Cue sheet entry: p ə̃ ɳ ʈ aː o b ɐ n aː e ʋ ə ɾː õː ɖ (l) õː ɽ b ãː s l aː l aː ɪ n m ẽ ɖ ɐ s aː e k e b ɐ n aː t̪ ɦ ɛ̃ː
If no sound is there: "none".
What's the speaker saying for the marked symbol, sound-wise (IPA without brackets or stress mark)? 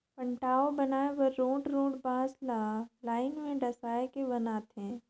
ɾ